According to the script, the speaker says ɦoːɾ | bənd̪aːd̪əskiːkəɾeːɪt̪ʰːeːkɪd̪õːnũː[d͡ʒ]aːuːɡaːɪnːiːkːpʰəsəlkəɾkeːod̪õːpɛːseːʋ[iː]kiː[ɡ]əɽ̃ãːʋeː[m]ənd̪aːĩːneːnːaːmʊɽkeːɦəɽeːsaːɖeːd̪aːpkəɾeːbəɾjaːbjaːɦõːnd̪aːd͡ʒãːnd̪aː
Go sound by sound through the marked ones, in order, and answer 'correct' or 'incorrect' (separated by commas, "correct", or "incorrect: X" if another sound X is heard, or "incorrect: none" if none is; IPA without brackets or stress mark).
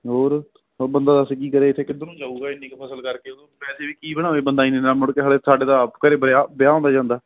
correct, correct, incorrect: b, incorrect: b